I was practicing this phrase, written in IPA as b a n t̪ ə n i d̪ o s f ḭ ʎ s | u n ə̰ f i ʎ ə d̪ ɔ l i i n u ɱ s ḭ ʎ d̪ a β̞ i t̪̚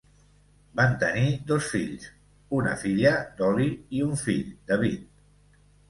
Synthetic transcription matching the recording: b a n t̪ ə n i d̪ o s f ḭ ʎ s | u n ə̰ f i ʎ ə d̪ ɔ l i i u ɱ f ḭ ʎ d̪ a β̞ i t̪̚

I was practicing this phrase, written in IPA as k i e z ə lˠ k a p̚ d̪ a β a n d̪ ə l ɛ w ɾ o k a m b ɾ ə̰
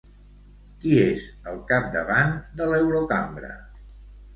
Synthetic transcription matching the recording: k i e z ə lˠ k a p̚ d̪ ə β a n d̪ ə l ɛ w ɾ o k a m b ɾ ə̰

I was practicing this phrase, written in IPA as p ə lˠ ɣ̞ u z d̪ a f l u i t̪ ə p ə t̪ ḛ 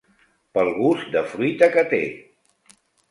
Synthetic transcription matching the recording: p ə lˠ ɣ̞ u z d̪ ə f ɾ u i t̪ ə k ə t̪ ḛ

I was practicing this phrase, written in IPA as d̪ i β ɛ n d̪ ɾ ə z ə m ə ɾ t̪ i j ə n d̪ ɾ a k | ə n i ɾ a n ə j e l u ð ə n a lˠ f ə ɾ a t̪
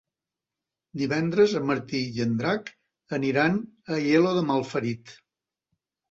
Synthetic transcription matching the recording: d̪ i β ɛ n d̪ ɾ ə z ə m ə ɾ t̪ i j ə n d̪ ɾ a k | ə n i ɾ a n ə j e l o ð ə m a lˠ f ə ɾ i t̪

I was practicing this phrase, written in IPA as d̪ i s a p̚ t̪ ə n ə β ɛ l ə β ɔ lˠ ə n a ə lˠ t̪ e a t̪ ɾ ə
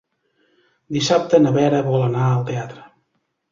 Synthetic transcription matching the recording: d̪ i s a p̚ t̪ ə n ə β ɛ ɾ ə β ɔ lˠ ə n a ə lˠ t̪ e a t̪ ɾ ə

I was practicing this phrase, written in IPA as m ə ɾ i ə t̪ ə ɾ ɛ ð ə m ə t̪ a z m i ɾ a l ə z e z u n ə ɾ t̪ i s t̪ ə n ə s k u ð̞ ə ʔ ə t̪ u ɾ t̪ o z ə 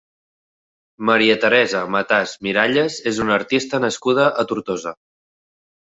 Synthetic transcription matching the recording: m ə ɾ i ə t̪ ə ɾ ɛ z ə m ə t̪ a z m i ɾ a ʎ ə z e z u n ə ɾ t̪ i s t̪ ə n ə s k u ð̞ ə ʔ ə t̪ u ɾ t̪ o z ə

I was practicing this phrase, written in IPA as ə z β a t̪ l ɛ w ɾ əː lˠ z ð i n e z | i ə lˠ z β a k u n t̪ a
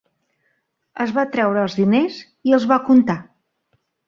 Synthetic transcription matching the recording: ə z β a t̪ ɾ ɛ w ɾ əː lˠ z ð i n e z | i ə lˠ z β a k u n t̪ a

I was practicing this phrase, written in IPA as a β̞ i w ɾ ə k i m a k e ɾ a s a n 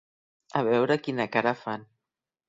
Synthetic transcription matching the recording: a β̞ ɛ w ɾ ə k i n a k a ɾ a f a n

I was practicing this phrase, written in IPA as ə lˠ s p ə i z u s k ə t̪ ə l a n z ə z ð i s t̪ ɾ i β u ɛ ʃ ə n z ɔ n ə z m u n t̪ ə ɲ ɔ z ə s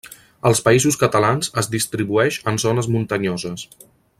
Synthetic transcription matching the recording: ə lˠ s p ə i z u s k ə t̪ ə l a n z ə z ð i s t̪ ɾ i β u ɛ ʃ ə n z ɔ n ə z m u n t̪ ə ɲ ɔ z ə s

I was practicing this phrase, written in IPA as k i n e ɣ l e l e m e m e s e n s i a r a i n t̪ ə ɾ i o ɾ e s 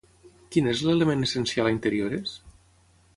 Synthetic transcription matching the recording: k i n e z l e l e m e n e s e n s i a l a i n t̪ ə ɾ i o ɾ e s

